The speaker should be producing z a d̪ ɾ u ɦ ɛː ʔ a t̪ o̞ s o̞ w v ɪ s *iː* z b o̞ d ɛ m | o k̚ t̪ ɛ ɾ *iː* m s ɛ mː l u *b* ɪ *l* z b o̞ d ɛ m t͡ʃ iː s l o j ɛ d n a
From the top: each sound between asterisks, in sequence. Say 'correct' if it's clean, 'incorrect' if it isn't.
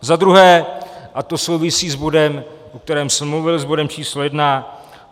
correct, incorrect, incorrect, correct

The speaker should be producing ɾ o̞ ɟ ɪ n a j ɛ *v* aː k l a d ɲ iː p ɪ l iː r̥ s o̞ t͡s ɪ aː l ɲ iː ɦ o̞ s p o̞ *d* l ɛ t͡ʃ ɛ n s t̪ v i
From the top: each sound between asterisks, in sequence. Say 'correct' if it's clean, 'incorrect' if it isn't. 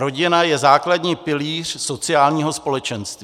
incorrect, incorrect

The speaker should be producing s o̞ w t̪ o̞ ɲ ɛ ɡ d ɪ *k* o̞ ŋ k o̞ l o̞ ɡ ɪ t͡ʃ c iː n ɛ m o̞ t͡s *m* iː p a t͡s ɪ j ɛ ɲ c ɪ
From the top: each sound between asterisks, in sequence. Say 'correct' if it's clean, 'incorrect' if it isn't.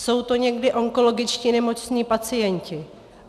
incorrect, incorrect

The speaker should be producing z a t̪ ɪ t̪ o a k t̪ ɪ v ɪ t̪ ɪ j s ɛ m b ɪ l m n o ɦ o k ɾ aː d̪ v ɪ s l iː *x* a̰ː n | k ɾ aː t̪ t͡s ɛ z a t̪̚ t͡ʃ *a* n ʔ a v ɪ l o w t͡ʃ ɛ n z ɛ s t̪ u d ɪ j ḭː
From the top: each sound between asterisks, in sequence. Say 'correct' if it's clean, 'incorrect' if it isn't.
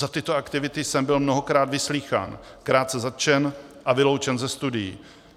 correct, incorrect

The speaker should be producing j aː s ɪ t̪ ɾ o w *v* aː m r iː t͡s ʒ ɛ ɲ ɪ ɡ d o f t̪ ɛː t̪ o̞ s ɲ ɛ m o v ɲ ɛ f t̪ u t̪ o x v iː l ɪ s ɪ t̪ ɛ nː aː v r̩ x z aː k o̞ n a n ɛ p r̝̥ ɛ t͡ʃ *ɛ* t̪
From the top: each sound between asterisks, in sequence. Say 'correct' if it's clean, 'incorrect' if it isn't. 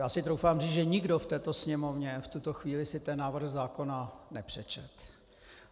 incorrect, correct

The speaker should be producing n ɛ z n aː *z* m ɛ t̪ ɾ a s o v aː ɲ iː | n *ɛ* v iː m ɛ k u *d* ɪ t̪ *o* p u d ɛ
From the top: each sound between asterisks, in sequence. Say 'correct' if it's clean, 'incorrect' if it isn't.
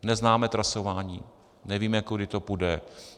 incorrect, correct, correct, correct

